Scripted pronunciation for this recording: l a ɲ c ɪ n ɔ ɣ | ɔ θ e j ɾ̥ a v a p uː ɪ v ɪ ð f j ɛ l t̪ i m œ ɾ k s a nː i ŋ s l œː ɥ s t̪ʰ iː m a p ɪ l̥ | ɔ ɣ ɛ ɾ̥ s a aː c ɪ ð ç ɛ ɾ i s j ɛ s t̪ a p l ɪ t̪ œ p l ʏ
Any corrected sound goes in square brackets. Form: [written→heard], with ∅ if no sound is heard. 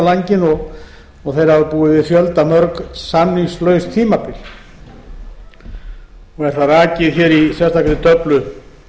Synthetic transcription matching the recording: l a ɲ c ɪ n ɔ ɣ | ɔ θ e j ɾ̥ a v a p uː ɪ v ɪ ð f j [ɛ→œ] l t̪ [i→a] m œ ɾ k s a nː i ŋ s l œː ɥ s t̪ʰ iː m a p ɪ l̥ | ɔ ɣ ɛ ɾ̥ [s→θ] a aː c ɪ ð ç ɛ ɾ i s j ɛ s t̪ a [p→k] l ɪ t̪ œ p l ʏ